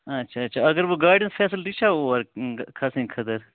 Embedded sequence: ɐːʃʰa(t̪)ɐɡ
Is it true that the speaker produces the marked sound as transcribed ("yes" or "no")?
no